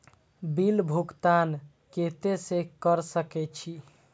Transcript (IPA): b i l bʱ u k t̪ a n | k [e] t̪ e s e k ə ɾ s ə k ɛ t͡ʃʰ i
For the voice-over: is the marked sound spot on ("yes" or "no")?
yes